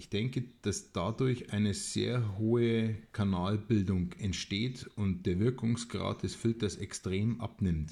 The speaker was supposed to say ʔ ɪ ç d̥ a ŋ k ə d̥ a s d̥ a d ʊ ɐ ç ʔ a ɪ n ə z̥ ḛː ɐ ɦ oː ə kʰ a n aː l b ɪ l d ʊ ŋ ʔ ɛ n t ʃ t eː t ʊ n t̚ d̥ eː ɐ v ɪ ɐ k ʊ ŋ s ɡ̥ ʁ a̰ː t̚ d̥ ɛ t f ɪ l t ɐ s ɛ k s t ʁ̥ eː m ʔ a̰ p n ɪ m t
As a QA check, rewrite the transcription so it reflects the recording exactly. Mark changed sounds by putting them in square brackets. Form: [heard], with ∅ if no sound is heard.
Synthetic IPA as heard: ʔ ɪ ç d̥ [ɛ] ŋ k ə d̥ a s d̥ a d ʊ ɐ ç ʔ a ɪ n ə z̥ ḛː ɐ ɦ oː ə kʰ a n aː l b ɪ l d ʊ ŋ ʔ ɛ n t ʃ t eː t ʊ n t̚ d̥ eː ɐ v ɪ ɐ k ʊ ŋ s ɡ̥ ʁ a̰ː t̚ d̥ ɛ [s] f ɪ l t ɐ s ɛ k s t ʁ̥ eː m ʔ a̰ p n ɪ m t